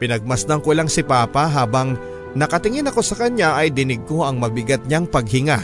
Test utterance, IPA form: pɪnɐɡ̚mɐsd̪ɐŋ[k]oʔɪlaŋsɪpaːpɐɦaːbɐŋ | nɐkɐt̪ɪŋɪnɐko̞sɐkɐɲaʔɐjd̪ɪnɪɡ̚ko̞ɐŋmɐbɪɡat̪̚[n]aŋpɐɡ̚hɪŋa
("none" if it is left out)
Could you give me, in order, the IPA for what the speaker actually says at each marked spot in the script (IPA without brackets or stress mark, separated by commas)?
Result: k, ɲ